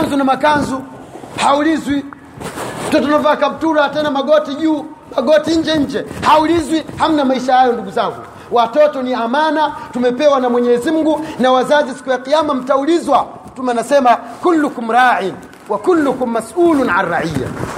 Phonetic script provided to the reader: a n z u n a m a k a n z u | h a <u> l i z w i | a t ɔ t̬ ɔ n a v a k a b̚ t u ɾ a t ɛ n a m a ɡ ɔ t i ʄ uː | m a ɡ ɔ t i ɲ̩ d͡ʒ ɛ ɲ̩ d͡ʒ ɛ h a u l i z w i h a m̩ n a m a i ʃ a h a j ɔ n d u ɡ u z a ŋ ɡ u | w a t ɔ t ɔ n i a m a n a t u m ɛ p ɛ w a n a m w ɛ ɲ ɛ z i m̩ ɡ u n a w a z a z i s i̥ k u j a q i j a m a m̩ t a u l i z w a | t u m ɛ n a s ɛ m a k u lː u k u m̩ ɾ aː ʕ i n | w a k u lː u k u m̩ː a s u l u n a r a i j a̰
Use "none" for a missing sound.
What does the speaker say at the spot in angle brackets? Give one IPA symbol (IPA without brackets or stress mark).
u